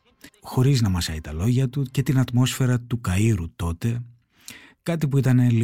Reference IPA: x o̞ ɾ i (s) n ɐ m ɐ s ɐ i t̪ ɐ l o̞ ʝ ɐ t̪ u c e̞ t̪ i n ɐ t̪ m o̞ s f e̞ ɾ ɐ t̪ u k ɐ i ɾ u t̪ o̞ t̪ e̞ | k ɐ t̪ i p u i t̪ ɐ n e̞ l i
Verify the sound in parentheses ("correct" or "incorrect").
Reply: incorrect